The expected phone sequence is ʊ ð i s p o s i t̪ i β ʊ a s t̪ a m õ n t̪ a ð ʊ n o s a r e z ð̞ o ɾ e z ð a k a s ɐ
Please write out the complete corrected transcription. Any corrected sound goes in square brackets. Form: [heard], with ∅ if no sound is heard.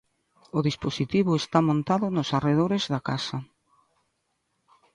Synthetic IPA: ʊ ð i s p o s i t̪ i β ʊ [e] s t̪ a m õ n t̪ a ð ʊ n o s a r e [∅] ð̞ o ɾ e z ð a k a s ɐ

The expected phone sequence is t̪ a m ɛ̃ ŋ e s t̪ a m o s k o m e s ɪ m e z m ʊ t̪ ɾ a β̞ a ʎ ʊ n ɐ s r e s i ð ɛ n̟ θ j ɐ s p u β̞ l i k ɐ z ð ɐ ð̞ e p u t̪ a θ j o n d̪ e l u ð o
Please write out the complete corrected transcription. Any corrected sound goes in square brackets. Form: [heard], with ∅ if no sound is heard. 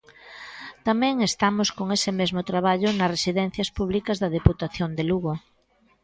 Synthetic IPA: t̪ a m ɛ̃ ŋ e s t̪ a m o s k o [ŋ] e s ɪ m e z m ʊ t̪ ɾ a β̞ a ʎ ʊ n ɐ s r e s i ð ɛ n̟ θ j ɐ s p u β̞ l i k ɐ z ð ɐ ð̞ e p u t̪ a θ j o n d̪ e l u [ɣ] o

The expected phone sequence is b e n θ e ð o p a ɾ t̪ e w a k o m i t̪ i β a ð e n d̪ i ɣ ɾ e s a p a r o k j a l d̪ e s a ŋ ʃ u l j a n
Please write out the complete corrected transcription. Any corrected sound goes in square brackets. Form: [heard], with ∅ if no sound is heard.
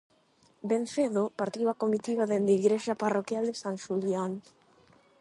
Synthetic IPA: b e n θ e ð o p a ɾ t̪ [i] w a k o m i t̪ i β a ð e n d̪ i ɣ ɾ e [ʃ] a p a r o k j a l d̪ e s a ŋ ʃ u l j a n

